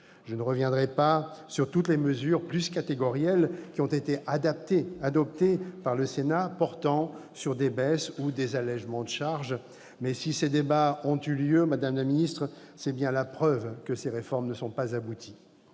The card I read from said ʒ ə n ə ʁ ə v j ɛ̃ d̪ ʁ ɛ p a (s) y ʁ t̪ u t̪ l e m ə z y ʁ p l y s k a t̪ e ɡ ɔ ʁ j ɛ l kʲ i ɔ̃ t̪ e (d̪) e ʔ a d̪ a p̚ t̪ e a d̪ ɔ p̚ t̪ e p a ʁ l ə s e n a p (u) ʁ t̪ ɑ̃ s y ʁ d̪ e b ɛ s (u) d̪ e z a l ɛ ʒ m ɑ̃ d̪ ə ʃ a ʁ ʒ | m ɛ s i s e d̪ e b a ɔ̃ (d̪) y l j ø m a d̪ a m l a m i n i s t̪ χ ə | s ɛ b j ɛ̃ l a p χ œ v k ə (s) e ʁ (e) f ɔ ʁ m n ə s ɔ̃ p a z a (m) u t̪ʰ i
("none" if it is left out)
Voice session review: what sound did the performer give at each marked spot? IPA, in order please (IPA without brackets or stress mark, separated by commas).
s, t̪, ɔ, u, t̪, s, e, b